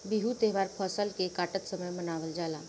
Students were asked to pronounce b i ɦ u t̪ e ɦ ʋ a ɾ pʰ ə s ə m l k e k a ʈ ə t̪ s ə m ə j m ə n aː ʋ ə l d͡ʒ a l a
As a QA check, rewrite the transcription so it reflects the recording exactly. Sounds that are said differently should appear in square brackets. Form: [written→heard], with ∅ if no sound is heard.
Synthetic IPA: b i ɦ u t̪ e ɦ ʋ a ɾ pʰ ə s ə [m→∅] l k e k a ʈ ə t̪ s ə m ə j m ə n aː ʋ ə l d͡ʒ a l a